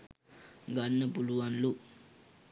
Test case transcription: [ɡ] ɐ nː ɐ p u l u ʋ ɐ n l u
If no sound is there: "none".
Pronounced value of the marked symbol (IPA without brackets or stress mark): ɡ